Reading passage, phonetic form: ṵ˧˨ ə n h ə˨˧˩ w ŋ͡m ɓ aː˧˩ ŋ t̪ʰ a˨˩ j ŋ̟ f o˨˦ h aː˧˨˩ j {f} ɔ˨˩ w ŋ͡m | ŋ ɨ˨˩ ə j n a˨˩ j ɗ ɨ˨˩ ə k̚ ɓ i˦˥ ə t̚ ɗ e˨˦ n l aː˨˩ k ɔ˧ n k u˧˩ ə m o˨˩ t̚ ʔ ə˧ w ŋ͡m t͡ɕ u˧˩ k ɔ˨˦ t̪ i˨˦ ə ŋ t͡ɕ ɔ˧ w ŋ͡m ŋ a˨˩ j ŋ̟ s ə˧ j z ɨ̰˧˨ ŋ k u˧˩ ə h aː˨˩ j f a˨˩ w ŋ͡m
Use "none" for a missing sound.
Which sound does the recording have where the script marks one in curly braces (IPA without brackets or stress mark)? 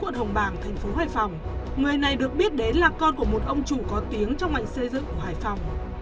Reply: f